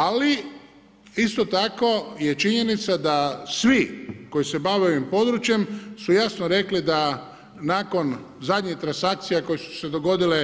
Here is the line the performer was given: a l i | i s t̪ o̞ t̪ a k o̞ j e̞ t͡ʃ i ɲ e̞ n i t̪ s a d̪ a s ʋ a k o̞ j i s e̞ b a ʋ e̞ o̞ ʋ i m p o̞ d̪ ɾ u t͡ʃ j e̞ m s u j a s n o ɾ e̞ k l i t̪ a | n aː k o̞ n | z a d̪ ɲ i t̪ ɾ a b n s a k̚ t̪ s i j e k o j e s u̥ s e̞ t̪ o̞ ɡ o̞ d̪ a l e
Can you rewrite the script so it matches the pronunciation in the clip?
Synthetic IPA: a l i | i s t̪ o̞ t̪ a k o̞ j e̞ t͡ʃ i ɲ e̞ n i t̪ s a d̪ a s ʋ i k o̞ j i s e̞ b a ʋ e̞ o̞ ʋ i m p o̞ d̪ ɾ u t͡ʃ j e̞ m s u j a s n o ɾ e̞ k l i d̪ a | n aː k o̞ n | z a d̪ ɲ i t̪ ɾ a n s a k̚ t̪ s i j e k o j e s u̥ s e̞ d̪ o̞ ɡ o̞ d̪ i l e